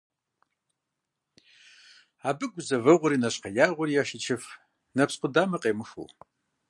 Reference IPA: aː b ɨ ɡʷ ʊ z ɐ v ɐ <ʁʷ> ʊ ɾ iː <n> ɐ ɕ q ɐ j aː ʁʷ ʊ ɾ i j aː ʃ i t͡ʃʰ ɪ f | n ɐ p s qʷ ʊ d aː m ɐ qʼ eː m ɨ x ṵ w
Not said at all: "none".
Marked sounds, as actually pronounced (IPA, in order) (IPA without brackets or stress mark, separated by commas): ʁʷ, n